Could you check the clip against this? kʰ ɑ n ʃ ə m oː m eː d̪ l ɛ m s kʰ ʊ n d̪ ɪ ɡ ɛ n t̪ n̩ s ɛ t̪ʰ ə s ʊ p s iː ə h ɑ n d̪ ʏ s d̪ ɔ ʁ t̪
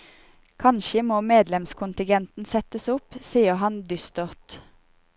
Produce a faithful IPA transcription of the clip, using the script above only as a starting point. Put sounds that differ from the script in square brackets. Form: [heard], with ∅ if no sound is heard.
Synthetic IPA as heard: kʰ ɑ n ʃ ə m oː m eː d̪ l ɛ m s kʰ ʊ n [t̪] ɪ ɡ ɛ n t̪ n̩ s ɛ [t̪] ə s ʊ p s iː ə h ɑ n d̪ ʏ s [t̪] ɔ ʁ t̪